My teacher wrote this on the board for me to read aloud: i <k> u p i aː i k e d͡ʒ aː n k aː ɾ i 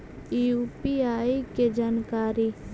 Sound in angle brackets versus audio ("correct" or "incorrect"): incorrect